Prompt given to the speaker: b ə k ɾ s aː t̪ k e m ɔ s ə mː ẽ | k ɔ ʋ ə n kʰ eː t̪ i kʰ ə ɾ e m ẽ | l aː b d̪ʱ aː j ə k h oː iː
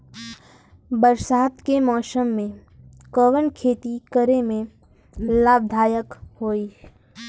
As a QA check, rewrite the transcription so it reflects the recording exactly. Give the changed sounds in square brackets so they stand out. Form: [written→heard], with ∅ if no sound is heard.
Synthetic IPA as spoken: b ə [k→∅] ɾ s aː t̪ k e m [ɔ→ɔː] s ə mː ẽ | k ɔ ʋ ə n kʰ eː t̪ i [kʰ→k] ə ɾ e m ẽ | l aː b d̪ʱ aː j ə k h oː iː